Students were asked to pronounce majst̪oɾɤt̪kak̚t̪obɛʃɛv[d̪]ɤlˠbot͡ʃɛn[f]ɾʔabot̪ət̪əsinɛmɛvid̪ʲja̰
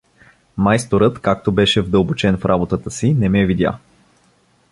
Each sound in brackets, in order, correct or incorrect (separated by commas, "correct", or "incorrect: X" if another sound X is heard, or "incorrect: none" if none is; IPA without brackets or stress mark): correct, correct